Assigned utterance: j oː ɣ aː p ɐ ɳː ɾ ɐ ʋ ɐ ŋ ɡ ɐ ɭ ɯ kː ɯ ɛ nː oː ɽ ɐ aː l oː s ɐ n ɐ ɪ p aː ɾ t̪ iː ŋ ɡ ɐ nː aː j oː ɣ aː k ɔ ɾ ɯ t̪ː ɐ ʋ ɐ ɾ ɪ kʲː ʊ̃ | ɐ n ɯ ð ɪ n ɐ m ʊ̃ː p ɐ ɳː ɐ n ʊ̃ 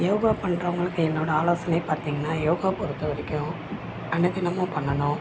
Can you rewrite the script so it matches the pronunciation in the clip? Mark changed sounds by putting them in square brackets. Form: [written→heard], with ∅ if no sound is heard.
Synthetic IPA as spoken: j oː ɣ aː p ɐ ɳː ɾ ɐ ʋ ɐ ŋ ɡ ɐ ɭ ɯ kː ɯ ɛ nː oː ɽ ɐ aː l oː s ɐ n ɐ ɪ p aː ɾ t̪ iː ŋ ɡ ɐ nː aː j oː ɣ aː [k→p] ɔ ɾ ɯ t̪ː ɐ ʋ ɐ ɾ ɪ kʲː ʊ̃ | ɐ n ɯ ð ɪ n ɐ m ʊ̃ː p ɐ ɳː ɐ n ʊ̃

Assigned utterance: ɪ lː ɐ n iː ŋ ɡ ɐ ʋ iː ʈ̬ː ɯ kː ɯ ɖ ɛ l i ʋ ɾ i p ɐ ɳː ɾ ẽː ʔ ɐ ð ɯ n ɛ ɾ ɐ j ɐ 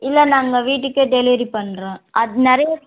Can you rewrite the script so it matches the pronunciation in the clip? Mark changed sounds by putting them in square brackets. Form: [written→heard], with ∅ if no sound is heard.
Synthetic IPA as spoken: ɪ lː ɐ n [iː→aː] ŋ ɡ ɐ ʋ iː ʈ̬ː ɯ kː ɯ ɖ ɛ l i ʋ ɾ i p ɐ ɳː ɾ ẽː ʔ ɐ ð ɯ n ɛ ɾ ɐ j ɐ

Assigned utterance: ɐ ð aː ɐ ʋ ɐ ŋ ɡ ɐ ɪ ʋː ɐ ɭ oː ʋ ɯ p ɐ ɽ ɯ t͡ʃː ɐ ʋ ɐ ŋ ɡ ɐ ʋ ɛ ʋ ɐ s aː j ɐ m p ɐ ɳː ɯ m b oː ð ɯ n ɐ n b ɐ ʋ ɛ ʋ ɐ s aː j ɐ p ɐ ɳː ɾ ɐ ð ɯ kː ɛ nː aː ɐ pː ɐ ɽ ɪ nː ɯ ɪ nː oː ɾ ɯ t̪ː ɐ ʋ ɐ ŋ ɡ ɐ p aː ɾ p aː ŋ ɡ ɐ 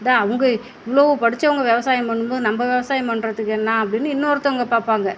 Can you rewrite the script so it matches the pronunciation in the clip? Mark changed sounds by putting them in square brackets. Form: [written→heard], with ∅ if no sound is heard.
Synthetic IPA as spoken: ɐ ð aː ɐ ʋ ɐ ŋ ɡ ɐ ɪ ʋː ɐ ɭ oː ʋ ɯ p ɐ ɽ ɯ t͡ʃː ɐ ʋ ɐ ŋ ɡ ɐ ʋ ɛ ʋ ɐ s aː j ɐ m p ɐ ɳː ɯ m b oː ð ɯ n ɐ [n→m] b ɐ ʋ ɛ ʋ ɐ s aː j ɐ p ɐ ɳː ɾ ɐ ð ɯ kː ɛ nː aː ɐ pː ɐ ɽ ɪ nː ɯ ɪ nː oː ɾ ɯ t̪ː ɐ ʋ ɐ ŋ ɡ ɐ p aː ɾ p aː ŋ ɡ ɐ

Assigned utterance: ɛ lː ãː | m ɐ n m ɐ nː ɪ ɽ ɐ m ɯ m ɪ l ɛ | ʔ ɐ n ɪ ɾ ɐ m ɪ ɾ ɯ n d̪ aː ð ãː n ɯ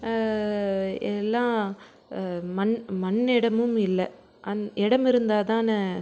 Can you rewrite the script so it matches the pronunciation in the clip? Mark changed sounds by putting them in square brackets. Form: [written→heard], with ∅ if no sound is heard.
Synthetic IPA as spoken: ɛ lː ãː | m ɐ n m ɐ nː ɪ ɽ ɐ m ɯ m ɪ [l→lː] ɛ | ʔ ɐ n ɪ [ɾ→ɽ] ɐ m ɪ ɾ ɯ n d̪ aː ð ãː n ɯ

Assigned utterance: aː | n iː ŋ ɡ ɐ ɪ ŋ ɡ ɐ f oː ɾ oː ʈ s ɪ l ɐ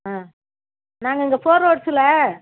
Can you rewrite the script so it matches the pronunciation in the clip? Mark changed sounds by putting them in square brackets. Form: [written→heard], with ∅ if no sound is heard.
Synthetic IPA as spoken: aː | n [iː→aː] ŋ ɡ ɐ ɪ ŋ ɡ ɐ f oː ɾ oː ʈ s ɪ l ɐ

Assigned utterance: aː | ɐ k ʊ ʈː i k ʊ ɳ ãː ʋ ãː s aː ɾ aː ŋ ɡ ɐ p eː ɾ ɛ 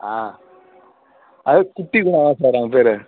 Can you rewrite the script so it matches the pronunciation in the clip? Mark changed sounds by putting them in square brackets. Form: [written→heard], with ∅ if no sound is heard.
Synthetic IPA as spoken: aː | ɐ k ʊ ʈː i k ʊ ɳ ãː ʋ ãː s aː ɾ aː ŋ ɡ ɐ p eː ɾ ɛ

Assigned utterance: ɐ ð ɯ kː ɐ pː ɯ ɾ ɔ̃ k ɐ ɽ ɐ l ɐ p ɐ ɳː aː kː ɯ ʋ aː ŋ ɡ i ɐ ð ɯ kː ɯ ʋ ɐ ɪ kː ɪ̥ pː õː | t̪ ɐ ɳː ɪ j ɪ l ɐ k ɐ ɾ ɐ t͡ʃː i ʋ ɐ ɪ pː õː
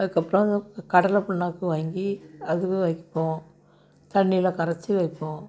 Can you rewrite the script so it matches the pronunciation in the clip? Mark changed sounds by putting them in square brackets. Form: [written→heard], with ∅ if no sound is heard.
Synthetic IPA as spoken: ɐ ð ɯ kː ɐ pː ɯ ɾ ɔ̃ k ɐ ɽ ɐ l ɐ p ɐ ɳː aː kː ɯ ʋ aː ŋ ɡ i ɐ ð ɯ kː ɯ ʋ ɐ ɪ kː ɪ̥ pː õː | t̪ ɐ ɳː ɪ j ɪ l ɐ k ɐ ɾ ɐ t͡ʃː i ʋ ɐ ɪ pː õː

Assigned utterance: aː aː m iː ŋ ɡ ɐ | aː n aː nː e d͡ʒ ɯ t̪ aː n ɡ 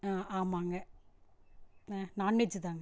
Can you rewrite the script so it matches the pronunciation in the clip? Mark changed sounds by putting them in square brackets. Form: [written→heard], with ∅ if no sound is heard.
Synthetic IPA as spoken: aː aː m [iː→aː] ŋ ɡ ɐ | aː n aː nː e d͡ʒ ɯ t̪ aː [n→ŋ] ɡ

